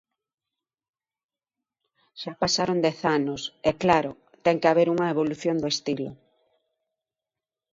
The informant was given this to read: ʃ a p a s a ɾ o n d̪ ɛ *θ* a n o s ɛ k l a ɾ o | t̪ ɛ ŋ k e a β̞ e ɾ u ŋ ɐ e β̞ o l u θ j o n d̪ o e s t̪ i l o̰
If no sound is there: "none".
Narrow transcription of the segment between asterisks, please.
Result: θ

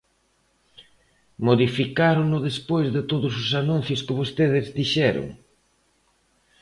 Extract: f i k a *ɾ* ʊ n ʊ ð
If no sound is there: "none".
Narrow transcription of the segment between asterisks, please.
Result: ɾ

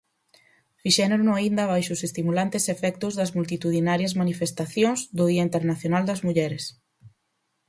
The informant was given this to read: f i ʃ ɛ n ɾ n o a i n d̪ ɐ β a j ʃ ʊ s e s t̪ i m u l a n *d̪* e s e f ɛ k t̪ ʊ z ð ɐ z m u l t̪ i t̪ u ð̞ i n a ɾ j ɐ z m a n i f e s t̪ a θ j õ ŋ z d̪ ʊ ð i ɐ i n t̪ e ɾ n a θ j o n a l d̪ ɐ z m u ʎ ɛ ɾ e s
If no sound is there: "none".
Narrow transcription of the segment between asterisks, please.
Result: t̪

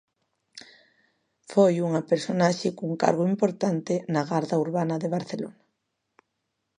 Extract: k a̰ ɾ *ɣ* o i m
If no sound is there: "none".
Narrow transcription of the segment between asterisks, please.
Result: ɣ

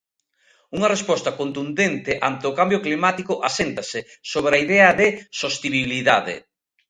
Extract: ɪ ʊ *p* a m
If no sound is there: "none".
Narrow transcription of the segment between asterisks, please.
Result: k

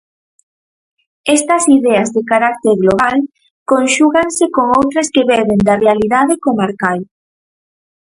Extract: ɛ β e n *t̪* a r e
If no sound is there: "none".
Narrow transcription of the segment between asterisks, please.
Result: d̪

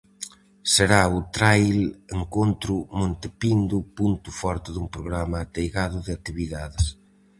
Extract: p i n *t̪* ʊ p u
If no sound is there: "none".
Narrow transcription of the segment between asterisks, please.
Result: d̪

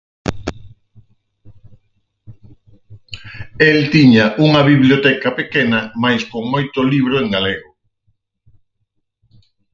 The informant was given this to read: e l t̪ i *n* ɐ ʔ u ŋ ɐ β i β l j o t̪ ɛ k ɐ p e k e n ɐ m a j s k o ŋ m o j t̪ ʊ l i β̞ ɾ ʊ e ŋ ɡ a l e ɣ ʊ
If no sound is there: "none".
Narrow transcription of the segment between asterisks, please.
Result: ɲ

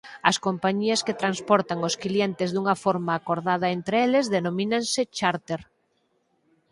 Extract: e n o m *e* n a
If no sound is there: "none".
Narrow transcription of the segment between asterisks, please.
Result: i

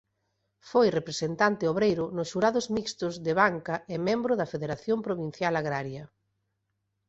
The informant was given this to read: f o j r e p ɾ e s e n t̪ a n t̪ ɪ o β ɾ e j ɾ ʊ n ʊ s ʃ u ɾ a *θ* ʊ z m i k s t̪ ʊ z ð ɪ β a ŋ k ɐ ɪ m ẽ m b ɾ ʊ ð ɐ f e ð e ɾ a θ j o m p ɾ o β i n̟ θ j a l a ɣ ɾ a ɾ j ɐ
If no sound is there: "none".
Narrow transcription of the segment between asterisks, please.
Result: ð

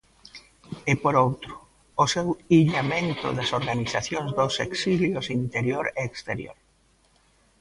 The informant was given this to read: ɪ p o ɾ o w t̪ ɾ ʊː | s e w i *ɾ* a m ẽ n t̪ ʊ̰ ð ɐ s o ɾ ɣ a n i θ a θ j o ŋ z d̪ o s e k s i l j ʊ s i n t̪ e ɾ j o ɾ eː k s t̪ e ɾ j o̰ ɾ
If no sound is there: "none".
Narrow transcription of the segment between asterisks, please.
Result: ʎ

